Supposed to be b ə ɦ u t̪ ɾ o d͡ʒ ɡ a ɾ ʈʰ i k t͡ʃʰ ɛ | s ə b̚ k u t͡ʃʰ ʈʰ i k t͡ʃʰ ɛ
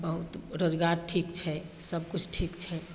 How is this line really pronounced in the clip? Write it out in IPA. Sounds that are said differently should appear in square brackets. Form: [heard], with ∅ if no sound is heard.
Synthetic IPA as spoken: b ə ɦ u t̪ ɾ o d͡ʒ ɡ a ɾ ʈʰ i k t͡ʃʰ ɛ | s ə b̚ k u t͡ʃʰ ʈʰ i k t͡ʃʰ ɛ